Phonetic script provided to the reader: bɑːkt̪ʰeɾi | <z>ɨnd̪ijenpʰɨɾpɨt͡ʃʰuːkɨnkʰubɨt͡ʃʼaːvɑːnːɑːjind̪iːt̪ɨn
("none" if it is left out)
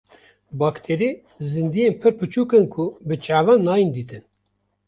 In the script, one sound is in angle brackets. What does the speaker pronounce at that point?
z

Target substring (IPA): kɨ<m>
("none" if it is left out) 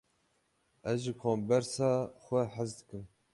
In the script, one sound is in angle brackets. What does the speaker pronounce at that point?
m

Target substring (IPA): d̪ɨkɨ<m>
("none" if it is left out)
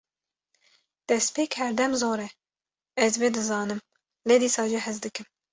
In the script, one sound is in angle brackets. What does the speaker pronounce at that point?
m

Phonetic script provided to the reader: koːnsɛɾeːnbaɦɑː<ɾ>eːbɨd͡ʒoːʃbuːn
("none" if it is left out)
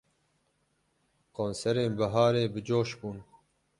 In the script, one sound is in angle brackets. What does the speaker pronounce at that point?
ɾ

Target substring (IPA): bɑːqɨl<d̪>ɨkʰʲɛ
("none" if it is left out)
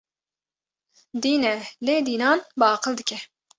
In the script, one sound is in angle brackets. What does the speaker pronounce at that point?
d̪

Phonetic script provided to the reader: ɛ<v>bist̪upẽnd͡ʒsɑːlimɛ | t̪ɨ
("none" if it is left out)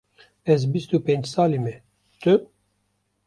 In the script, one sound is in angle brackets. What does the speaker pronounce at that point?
z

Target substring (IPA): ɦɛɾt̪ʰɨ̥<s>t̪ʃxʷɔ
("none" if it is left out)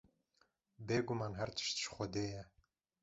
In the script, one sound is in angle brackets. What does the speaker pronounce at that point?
ʃ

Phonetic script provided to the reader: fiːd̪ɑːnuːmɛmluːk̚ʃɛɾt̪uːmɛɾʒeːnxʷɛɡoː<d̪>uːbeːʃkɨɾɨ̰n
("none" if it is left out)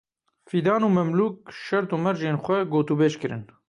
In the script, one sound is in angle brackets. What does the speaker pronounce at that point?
t̪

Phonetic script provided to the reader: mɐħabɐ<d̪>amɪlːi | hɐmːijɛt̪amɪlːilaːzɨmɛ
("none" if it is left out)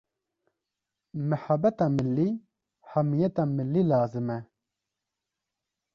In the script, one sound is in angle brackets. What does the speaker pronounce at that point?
t̪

